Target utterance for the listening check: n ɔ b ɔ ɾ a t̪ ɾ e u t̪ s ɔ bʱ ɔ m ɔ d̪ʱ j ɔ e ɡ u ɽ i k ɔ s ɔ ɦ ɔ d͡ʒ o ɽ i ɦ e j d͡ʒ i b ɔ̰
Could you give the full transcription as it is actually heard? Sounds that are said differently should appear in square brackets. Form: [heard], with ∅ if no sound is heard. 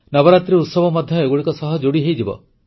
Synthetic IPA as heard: n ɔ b ɔ ɾ a t̪ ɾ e u t̪ s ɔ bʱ ɔ m ɔ d̪ʱ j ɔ e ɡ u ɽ i k ɔ s ɔ ɦ ɔ d͡ʒ o ɽ i ɦ e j d͡ʒ i b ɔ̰